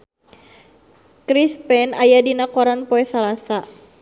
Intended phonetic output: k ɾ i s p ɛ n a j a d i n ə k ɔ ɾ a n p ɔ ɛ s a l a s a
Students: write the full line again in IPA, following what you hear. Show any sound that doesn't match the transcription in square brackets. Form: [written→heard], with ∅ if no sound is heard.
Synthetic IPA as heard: k ɾ i s p ɛ n a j a d i n [ə→a] k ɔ ɾ a n p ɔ ɛ s a l a s a

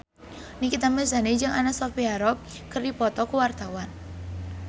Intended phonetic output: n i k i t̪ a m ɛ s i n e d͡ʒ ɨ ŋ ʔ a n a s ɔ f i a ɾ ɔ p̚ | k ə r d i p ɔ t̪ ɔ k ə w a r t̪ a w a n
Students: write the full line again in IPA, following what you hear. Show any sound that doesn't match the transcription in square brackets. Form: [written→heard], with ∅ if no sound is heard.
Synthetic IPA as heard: n i k i t̪ a m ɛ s [i→a] n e d͡ʒ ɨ ŋ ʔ a n a s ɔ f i a ɾ ɔ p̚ | k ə r d i p ɔ t̪ ɔ k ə w a r t̪ a w a n

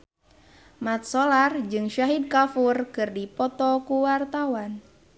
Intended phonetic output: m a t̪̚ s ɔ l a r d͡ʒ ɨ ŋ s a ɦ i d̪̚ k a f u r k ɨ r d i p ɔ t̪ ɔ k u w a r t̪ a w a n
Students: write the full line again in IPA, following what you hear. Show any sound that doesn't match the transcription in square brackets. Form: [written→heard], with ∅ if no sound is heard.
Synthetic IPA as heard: m a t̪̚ s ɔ l a r d͡ʒ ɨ ŋ [s→ʃ] a ɦ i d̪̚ k a f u r k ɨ r d i p ɔ t̪ ɔ k u w a r t̪ a w a n

